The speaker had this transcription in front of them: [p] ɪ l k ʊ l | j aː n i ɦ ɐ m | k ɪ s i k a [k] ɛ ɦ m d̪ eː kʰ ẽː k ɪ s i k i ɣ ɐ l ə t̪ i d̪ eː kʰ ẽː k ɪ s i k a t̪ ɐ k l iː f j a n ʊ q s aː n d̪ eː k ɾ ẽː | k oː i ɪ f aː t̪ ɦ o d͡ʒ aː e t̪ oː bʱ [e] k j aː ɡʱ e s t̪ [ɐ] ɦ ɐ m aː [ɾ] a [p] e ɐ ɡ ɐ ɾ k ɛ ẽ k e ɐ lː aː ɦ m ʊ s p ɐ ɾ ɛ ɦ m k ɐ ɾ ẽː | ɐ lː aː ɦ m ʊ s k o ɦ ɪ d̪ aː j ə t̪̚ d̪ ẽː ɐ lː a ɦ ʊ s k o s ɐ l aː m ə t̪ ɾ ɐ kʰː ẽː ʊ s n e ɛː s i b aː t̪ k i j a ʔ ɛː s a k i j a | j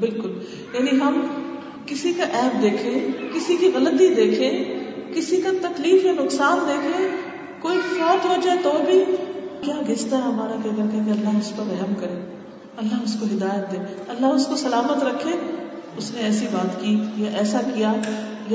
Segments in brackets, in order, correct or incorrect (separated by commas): incorrect, incorrect, incorrect, incorrect, correct, incorrect